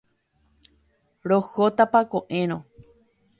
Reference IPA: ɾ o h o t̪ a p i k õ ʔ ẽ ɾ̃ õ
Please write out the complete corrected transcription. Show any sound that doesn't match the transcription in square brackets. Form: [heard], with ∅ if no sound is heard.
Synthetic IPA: ɾ o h o t̪ a p [a] k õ ʔ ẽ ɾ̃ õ

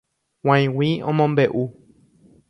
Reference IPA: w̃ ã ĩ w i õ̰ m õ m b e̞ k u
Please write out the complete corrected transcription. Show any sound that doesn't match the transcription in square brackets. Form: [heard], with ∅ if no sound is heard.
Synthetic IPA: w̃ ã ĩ w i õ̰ m õ m b e̞ [ʔ] u

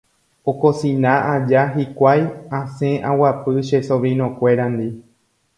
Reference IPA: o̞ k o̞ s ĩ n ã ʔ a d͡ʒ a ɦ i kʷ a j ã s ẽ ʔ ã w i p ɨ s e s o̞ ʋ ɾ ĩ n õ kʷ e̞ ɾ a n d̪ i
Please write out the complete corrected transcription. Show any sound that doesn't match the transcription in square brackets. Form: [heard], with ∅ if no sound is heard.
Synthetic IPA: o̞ k o̞ s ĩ n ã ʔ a d͡ʒ a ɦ i kʷ a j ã s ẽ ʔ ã w [a] p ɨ [ʃ] e s o̞ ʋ ɾ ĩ n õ kʷ e̞ ɾ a n d̪ i

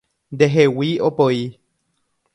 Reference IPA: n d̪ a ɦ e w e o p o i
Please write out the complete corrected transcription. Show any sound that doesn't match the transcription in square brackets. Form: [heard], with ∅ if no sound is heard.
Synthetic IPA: n d̪ [e] ɦ e w [i] o p o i

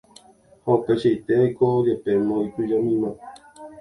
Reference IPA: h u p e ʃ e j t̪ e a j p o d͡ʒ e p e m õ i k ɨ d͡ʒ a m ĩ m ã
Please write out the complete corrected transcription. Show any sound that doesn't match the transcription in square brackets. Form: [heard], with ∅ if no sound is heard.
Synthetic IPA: h [o] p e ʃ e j t̪ e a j [k] o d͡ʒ e p e m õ i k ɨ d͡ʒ a m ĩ m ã

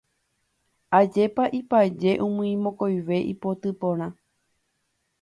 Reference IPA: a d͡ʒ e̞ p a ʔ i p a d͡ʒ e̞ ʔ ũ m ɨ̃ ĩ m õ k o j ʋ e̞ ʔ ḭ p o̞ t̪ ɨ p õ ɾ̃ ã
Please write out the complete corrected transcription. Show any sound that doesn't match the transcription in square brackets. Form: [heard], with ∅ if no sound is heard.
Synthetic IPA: a d͡ʒ e̞ p a ʔ i p a d͡ʒ e̞ ʔ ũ m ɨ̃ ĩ m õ k o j ʋ e̞ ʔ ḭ p o̞ t̪ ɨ p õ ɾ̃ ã

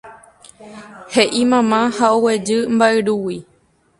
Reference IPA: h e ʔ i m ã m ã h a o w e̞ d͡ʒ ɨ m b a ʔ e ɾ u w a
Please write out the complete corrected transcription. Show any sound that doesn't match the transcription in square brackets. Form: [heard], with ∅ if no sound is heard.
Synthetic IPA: h e ʔ i m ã m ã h a o w e̞ d͡ʒ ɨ m b a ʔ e ɾ u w [i]

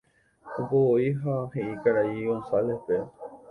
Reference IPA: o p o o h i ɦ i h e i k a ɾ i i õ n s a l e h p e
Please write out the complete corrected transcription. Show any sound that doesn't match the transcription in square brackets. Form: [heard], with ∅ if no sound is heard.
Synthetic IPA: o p o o [∅] i ɦ [a] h e i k a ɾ [a] i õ n s a l e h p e

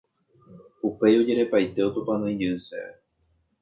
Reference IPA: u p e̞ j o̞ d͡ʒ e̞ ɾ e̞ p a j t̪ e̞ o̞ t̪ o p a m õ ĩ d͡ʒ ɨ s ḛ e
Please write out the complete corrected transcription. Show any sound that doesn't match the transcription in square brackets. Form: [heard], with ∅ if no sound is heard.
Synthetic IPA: u p e̞ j o̞ d͡ʒ e̞ ɾ e̞ p a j t̪ e̞ o̞ t̪ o p a [n] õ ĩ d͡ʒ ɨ s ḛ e

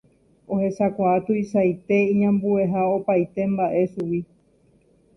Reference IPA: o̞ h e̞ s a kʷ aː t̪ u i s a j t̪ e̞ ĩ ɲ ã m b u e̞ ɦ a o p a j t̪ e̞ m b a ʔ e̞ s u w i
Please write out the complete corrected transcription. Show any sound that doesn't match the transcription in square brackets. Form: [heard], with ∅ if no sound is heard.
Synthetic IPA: o̞ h e̞ s a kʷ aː t̪ u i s a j t̪ e̞ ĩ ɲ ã m b u e̞ ɦ a o p a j t̪ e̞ m b a ʔ e̞ s u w i

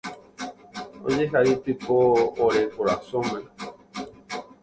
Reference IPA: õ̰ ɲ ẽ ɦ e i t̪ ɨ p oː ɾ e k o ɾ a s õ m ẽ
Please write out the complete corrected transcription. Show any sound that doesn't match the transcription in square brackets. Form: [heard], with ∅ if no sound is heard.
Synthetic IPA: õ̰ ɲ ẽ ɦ [a] i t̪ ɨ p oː ɾ e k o ɾ a s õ m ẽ

